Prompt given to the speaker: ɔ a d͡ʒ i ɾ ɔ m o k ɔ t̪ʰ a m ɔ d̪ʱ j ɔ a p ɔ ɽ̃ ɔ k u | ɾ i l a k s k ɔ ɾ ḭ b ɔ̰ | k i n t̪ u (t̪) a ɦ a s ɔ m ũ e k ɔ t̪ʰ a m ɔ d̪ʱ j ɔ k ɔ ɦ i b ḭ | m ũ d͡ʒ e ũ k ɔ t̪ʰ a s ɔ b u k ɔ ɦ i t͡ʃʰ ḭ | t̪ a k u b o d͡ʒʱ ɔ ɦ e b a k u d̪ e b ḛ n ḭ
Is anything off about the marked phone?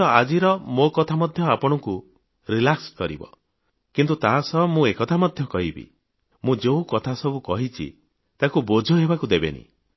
no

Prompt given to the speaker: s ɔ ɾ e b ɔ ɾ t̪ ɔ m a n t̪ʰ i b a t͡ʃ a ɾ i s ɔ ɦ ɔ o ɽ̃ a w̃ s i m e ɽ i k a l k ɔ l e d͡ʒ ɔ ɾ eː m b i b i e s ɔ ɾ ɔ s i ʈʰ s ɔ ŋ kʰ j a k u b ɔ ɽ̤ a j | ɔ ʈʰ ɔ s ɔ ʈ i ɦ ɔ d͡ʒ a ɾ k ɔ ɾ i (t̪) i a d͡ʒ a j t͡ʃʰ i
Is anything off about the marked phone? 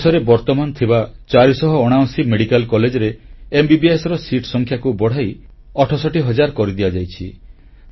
yes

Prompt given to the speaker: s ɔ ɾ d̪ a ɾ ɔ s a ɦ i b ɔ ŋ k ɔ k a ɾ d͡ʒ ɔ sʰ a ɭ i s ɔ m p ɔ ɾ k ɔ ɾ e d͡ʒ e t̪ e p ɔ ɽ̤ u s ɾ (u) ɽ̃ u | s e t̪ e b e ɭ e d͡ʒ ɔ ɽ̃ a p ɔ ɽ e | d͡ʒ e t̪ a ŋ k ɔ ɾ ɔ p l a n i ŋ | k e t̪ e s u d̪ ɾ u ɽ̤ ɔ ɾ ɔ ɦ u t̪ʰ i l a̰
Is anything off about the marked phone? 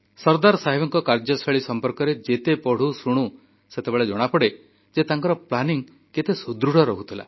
no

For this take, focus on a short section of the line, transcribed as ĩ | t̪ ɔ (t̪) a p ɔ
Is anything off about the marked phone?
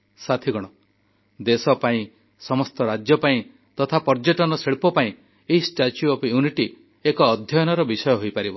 yes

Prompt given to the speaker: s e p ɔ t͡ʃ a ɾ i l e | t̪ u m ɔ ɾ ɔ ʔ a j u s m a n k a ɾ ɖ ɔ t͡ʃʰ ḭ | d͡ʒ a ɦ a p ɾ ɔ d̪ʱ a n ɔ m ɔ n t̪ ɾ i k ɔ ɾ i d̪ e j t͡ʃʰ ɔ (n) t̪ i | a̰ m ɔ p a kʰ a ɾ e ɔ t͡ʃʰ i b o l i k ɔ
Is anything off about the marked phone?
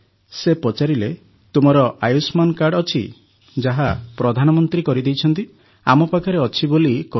no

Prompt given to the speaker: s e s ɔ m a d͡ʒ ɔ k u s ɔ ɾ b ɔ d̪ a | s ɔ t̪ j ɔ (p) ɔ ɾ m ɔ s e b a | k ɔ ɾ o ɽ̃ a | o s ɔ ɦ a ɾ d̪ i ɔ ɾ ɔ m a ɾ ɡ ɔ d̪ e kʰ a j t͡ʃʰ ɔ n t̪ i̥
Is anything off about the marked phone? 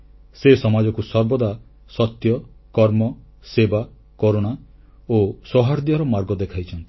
yes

